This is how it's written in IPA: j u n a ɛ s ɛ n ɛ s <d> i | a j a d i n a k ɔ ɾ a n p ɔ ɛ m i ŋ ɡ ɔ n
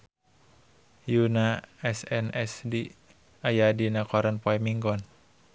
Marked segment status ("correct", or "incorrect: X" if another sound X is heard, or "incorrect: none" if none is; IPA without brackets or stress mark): correct